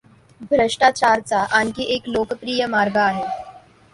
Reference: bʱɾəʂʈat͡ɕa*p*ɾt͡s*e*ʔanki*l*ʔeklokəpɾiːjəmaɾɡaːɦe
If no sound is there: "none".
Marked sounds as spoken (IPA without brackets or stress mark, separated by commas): none, a, none